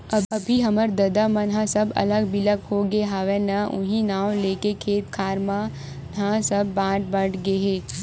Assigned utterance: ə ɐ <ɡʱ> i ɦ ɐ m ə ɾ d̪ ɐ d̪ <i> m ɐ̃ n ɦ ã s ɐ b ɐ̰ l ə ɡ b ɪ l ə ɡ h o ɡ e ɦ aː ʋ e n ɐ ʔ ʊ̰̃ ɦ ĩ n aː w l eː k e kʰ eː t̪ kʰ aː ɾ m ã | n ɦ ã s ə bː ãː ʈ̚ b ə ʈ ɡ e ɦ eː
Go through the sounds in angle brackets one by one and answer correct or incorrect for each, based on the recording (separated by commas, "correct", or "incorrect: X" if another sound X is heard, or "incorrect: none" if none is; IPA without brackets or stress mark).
incorrect: bʱ, incorrect: a